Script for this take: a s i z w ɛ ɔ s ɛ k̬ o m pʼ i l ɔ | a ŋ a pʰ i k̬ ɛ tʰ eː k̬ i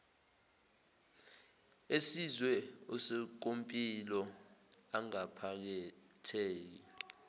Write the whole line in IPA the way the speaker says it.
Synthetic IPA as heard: e s i z w ɛ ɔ s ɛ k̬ o m pʼ i l ɔ | a ŋ a pʰ a k̬ ɛ tʰ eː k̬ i